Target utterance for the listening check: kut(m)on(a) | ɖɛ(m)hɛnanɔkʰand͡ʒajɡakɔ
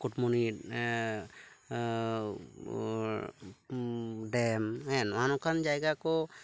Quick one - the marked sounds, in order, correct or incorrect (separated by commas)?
correct, incorrect, correct